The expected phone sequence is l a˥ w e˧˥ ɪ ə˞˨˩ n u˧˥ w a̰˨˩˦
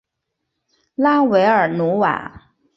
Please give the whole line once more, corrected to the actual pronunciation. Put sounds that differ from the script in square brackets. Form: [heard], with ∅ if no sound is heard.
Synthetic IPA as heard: l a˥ w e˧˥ ɪ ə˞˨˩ n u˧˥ w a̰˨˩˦